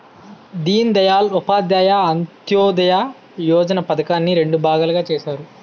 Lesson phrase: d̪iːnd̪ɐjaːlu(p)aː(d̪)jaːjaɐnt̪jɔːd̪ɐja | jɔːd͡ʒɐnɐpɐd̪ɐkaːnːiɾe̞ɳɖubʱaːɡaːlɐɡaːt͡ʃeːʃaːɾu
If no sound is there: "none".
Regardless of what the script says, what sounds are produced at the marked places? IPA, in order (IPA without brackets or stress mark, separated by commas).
p, d̪